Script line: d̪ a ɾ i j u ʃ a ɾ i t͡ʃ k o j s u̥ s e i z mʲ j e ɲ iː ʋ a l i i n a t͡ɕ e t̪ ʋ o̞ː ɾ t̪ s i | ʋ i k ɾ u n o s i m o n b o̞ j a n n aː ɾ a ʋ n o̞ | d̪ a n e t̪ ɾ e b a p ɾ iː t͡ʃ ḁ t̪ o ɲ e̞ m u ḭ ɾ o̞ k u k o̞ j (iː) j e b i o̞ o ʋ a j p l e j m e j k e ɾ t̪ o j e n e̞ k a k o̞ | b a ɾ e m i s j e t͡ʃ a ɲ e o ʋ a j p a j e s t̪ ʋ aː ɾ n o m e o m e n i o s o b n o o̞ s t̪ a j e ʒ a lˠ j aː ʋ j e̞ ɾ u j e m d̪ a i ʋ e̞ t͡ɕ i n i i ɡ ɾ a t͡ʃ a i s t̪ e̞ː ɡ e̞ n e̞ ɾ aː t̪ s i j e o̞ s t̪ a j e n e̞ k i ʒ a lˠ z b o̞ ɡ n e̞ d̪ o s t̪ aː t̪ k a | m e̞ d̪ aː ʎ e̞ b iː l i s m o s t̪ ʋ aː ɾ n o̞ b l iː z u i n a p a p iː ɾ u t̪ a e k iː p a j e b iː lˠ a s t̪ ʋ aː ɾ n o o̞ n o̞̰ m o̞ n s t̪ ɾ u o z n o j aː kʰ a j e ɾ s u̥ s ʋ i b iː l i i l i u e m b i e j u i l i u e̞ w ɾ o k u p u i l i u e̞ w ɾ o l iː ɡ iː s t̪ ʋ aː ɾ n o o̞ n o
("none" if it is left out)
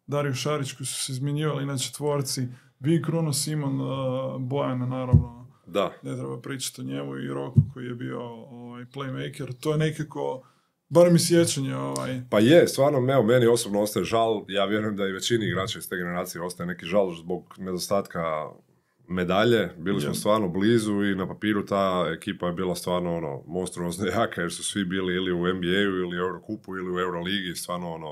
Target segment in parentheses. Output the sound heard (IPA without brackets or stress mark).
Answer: i